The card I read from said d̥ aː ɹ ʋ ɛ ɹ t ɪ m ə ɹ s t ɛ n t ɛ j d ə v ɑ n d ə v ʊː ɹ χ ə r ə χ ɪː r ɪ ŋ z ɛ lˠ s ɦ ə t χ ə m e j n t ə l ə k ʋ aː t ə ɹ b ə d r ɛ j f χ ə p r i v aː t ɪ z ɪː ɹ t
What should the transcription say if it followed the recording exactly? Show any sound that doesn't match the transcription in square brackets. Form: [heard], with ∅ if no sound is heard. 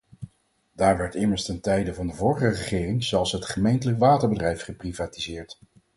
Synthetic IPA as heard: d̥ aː ɹ ʋ ɛ ɹ t ɪ m ə ɹ s t ɛ n t ɛ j d ə v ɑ n d ə v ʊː ɹ χ ə r ə χ ɪː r ɪ ŋ z ɛ lˠ s ɦ ə t χ ə m e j n t ə l ə k ʋ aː t ə ɹ b ə d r ɛ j f χ ə p r i v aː t [i] z ɪː ɹ t